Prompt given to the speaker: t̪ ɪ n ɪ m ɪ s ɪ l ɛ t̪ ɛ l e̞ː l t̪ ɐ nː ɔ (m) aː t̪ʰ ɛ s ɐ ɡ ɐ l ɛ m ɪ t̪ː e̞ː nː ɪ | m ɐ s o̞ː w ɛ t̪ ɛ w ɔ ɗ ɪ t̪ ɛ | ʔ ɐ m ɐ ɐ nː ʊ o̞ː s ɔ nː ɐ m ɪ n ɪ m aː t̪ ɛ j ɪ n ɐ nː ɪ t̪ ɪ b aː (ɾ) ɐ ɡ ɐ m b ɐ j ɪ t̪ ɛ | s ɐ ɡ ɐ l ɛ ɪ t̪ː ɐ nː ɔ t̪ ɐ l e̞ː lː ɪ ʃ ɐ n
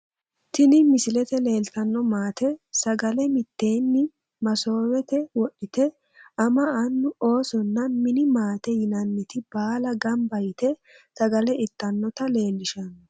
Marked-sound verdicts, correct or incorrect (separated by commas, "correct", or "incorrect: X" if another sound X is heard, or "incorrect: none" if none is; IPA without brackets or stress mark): correct, incorrect: l